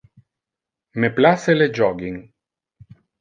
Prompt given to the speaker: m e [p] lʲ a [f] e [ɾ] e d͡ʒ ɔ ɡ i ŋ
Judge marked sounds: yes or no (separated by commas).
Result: yes, no, no